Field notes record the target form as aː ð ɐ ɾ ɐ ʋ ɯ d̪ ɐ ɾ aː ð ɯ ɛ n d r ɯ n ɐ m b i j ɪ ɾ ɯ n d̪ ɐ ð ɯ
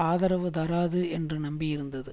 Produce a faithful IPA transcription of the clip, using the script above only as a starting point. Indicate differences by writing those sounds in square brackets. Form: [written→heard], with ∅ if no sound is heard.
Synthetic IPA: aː ð ɐ ɾ ɐ ʋ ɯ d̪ ɐ ɾ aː ð ɯ ɛ n d r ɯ n ɐ m b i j ɪ ɾ ɯ n d̪ ɐ ð ɯ